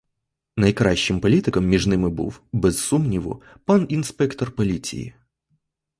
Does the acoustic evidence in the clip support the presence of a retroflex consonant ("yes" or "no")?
yes